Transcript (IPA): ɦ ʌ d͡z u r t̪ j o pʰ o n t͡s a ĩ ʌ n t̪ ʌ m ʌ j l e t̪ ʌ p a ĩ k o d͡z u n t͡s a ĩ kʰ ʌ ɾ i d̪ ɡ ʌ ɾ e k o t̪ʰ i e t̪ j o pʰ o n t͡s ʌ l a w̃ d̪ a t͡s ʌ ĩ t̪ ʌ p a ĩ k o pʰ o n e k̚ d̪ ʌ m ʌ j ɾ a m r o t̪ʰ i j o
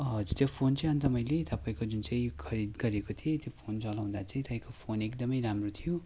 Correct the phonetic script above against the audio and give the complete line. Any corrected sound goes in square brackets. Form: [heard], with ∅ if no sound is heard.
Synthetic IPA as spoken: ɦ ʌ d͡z u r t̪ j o pʰ o n t͡s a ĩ ʌ n t̪ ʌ m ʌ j l e t̪ ʌ p a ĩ k o d͡z u n t͡s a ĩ kʰ ʌ ɾ i d̪ ɡ ʌ ɾ e k o t̪ʰ i e t̪ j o pʰ o n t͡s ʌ l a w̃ d̪ a t͡s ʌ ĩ t̪ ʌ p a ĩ k o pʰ o n e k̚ d̪ ʌ m ʌ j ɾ a m r o t̪ʰ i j o

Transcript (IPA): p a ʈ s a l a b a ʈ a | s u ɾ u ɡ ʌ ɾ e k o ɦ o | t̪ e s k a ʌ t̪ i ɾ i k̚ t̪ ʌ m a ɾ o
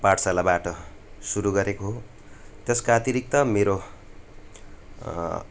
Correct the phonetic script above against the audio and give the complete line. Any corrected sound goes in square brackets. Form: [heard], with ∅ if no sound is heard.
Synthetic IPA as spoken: p a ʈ s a l a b a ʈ [ʌ] | s u ɾ u ɡ ʌ ɾ e k o ɦ o | t̪ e s k a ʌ t̪ i ɾ i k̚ t̪ ʌ m [e] ɾ o

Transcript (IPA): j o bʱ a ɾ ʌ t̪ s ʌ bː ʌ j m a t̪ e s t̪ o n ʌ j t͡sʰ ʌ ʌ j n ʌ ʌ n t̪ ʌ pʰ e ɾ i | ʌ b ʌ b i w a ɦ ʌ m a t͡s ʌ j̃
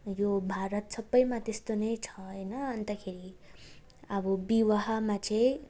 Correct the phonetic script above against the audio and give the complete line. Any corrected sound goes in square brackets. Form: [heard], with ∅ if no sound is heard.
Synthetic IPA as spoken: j o bʱ a ɾ ʌ t̪ s ʌ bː ʌ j m a t̪ e s t̪ o n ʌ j t͡sʰ ʌ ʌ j n ʌ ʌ n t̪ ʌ [kʰ] e ɾ i | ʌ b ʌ b i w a ɦ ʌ m a t͡s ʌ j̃

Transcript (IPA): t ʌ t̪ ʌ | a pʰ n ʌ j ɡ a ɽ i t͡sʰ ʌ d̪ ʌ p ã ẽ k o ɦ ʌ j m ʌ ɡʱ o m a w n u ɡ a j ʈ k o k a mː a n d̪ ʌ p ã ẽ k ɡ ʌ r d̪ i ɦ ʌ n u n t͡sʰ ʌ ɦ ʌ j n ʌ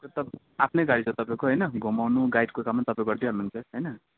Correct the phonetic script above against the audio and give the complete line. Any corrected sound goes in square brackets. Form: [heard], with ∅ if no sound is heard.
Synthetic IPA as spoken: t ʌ t̪ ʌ | a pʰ n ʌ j ɡ a ɽ i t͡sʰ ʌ [t̪] ʌ p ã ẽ k o ɦ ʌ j [n] ʌ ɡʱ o m a w n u ɡ a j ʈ k o k a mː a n [t̪] ʌ p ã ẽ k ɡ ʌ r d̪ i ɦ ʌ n u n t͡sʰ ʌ ɦ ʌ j n ʌ

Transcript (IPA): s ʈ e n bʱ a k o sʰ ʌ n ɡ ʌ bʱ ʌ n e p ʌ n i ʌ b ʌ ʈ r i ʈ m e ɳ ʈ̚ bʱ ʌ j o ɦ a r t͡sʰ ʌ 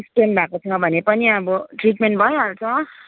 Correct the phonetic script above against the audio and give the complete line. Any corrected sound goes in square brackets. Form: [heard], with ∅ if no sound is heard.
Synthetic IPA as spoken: s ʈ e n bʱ a k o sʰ ʌ [ŋ] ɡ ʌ bʱ ʌ n e p ʌ n i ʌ b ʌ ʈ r i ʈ m e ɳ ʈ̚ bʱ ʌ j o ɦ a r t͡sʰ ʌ

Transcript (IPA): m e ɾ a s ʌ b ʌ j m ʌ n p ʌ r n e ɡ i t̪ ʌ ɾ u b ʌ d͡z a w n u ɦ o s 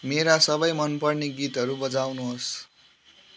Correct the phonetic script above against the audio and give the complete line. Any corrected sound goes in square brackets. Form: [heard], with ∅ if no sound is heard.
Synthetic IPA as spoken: m e ɾ a s ʌ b ʌ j m ʌ n p ʌ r n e ɡ i t̪ ʌ ɾ u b ʌ d͡z a w n u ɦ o s

